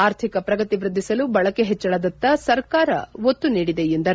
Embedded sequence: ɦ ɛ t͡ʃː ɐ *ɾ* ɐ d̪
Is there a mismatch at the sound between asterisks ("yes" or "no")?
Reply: yes